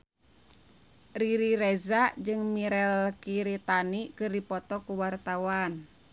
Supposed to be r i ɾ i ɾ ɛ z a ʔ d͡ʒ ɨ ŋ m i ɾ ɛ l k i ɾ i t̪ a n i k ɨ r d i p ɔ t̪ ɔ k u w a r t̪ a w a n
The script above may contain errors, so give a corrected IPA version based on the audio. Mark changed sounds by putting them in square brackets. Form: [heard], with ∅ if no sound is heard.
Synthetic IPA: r i ɾ i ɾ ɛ z a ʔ d͡ʒ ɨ ŋ m i ɾ ɛ l k i ɾ i t̪ a n i k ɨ r d i p ɔ t̪ ɔ k u w a r t̪ a w a n